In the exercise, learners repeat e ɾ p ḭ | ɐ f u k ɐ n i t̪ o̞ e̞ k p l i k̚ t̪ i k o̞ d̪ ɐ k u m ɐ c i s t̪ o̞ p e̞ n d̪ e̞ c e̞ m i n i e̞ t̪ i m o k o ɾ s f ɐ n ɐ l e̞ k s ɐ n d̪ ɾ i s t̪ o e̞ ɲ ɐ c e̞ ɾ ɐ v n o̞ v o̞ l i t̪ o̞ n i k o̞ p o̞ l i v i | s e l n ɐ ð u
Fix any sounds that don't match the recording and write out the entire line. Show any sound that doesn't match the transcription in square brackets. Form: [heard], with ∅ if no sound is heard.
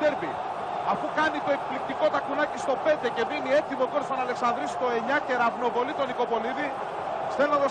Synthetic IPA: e ɾ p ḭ | ɐ f u k ɐ n i t̪ o̞ e̞ k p l i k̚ t̪ i k o̞ [t̪] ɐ k u [n] ɐ c i s t̪ o̞ p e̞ n d̪ e̞ c e̞ m i n i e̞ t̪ i m o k o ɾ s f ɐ n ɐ l e̞ k s ɐ n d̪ ɾ i s t̪ o e̞ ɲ ɐ c e̞ ɾ ɐ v n o̞ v o̞ l i t̪ o̞ n i k o̞ p o̞ l i [ð] i | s e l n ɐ ð [o]